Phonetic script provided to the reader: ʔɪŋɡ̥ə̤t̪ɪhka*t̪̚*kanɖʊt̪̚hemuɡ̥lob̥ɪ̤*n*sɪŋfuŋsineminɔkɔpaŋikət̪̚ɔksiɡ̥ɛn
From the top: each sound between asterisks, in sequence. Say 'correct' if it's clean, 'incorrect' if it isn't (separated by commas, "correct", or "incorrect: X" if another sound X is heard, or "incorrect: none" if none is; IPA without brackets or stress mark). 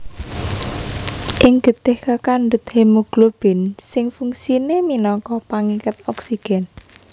incorrect: none, correct